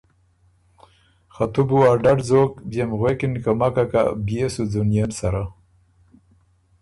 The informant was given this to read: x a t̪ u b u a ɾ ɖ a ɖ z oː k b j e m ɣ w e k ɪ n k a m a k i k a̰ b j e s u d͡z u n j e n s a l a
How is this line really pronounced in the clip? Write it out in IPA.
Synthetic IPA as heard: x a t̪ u b u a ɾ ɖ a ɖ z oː k b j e m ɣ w e k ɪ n k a m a k a k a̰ b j e s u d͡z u n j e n s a ɾ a